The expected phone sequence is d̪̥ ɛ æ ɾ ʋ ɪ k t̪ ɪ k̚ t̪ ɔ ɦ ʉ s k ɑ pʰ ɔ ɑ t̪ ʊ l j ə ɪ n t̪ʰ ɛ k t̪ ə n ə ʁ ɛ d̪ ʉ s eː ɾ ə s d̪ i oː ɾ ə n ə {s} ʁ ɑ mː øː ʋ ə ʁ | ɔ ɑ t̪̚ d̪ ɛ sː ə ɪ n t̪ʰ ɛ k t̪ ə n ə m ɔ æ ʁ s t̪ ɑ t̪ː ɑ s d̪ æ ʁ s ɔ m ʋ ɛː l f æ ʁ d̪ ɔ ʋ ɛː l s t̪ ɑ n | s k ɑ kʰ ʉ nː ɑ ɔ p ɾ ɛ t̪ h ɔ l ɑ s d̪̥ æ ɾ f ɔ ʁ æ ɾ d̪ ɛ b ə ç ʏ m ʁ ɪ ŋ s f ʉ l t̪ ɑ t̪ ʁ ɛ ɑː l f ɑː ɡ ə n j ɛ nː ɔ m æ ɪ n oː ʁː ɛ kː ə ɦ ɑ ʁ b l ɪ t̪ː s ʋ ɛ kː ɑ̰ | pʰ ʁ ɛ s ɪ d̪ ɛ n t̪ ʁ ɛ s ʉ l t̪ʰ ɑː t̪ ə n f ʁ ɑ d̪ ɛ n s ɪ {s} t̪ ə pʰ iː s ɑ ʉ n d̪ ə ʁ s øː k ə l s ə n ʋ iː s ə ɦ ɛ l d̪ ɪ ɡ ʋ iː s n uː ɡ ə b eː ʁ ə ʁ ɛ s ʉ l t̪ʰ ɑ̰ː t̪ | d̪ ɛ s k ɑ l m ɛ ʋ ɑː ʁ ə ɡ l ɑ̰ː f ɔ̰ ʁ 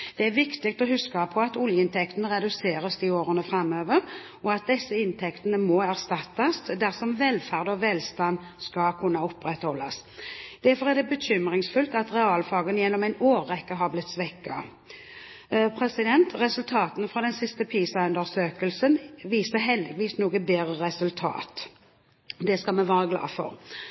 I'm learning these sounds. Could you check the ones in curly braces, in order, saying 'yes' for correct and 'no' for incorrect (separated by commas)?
no, yes